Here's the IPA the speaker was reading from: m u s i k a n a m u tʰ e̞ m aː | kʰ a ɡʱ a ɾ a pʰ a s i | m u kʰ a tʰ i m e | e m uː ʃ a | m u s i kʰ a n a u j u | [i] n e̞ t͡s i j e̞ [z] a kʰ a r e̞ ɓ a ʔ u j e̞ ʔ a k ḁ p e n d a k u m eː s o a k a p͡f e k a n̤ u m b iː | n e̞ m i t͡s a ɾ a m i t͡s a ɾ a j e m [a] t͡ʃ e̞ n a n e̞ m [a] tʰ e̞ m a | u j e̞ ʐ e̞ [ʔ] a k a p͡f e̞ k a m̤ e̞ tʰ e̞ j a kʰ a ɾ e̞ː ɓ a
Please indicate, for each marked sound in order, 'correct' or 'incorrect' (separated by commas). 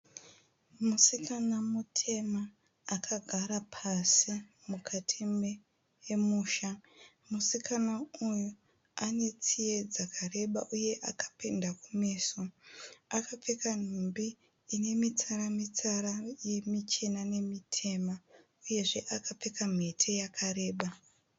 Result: incorrect, incorrect, incorrect, incorrect, correct